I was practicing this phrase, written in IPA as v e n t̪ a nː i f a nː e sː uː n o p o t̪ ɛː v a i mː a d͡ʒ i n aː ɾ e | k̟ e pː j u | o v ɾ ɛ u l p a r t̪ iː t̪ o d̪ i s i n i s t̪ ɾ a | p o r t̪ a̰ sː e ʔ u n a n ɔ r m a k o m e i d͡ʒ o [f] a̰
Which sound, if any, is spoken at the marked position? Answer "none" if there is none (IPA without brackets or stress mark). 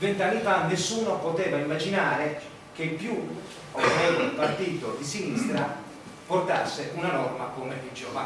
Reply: v